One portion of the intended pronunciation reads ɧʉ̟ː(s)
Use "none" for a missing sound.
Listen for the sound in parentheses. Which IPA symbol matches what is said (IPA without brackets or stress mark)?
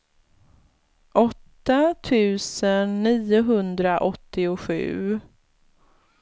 none